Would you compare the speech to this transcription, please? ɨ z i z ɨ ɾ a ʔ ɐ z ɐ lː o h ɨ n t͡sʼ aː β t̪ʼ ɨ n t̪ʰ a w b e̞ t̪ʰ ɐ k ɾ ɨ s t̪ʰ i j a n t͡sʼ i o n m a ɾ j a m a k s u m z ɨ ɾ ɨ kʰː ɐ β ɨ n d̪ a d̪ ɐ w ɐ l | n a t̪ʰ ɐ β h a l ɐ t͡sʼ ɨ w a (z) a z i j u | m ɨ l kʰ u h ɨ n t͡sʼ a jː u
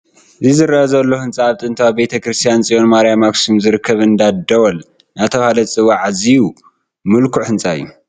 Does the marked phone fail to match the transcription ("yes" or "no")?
yes